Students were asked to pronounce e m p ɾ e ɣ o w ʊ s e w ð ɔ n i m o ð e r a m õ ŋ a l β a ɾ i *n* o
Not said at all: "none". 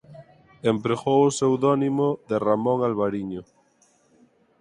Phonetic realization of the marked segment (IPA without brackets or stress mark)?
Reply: ɲ